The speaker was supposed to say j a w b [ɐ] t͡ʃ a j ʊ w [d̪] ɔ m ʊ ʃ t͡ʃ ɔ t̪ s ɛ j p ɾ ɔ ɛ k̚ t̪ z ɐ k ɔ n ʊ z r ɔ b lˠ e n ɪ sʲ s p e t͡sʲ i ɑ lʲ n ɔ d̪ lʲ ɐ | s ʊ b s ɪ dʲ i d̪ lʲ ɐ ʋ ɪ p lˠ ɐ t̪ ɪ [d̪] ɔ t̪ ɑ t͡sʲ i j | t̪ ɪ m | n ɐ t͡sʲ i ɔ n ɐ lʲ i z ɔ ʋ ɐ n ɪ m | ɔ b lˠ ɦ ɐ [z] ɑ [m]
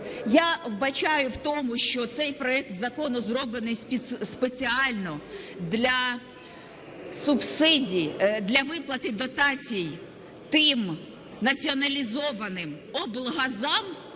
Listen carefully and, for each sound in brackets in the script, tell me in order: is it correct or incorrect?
correct, incorrect: t̪, correct, correct, correct

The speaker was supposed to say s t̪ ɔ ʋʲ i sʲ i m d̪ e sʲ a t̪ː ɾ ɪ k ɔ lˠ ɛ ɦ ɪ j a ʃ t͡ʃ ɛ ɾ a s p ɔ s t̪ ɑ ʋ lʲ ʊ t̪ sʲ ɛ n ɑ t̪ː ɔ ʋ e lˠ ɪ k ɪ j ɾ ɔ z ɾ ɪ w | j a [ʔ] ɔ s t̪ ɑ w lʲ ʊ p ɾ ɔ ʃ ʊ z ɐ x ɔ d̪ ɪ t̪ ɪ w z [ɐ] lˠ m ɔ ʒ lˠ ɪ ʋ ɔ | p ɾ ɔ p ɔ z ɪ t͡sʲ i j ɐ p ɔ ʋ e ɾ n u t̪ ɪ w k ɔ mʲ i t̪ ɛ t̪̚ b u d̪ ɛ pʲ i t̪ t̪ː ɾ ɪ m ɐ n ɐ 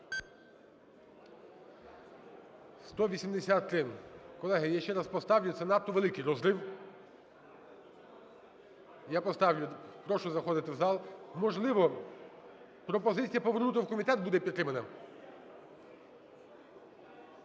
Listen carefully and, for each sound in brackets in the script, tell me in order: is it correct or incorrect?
incorrect: p, incorrect: ɑ

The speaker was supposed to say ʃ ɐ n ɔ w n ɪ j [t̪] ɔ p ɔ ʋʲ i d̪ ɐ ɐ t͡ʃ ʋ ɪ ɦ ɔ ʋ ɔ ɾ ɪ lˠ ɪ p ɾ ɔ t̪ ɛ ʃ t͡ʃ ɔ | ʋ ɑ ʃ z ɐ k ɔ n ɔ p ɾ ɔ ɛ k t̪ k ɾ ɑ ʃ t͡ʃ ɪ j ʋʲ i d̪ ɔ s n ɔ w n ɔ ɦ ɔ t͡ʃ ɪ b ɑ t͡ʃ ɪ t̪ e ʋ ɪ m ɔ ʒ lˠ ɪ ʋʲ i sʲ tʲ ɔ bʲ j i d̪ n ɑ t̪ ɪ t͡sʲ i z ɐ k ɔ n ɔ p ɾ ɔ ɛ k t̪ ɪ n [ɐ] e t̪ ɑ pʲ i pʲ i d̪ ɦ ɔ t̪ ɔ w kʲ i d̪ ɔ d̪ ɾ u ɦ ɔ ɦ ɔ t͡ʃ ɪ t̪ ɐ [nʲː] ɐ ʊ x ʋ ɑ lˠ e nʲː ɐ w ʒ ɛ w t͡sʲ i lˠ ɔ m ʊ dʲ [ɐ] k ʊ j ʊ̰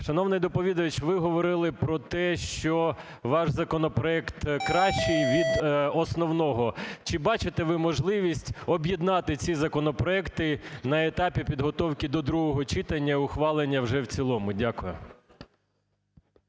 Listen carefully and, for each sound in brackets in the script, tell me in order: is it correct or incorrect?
incorrect: d̪, correct, correct, incorrect: a

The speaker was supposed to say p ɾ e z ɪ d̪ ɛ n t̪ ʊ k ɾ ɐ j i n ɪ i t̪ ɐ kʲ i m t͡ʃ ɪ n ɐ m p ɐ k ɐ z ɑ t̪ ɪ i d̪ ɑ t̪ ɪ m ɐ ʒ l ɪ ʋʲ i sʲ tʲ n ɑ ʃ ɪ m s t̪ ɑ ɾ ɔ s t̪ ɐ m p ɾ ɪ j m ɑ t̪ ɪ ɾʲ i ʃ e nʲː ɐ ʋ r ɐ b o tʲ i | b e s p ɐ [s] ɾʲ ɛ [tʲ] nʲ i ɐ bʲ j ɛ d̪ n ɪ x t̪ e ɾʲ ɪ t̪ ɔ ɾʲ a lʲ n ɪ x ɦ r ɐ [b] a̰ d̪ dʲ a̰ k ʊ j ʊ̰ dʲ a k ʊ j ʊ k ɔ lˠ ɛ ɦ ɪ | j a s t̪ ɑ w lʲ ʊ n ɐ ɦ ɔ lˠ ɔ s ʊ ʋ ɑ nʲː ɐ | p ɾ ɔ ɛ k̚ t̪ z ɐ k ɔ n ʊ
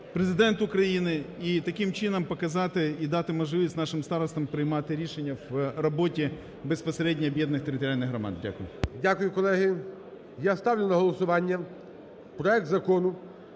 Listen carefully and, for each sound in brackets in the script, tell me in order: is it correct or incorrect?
correct, incorrect: dʲ, incorrect: m

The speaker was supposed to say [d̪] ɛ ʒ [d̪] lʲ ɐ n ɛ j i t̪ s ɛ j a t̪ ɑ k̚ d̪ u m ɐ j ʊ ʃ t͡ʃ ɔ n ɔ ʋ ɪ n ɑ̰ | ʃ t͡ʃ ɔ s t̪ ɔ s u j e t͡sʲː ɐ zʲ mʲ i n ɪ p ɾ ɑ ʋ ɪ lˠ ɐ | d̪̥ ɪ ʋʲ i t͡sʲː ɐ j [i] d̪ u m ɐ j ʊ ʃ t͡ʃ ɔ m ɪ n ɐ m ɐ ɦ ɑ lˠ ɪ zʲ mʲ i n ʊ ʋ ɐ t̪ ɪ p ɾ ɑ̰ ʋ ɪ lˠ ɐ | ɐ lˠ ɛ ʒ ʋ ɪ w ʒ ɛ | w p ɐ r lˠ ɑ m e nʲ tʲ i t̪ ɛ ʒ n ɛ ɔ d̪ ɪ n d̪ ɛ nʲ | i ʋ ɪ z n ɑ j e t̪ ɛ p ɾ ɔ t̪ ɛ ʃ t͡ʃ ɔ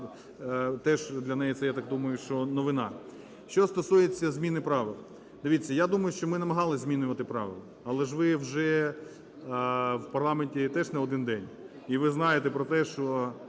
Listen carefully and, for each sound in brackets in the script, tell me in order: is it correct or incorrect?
incorrect: t̪, correct, incorrect: a

